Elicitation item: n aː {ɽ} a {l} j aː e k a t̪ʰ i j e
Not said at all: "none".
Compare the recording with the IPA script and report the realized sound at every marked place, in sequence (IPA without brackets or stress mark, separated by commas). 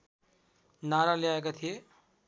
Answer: ɾ, l